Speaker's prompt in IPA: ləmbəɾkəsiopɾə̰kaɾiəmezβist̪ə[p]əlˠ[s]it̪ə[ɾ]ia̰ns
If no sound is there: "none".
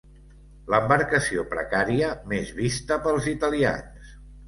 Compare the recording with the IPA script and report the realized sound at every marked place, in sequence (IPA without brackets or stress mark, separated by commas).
p, z, l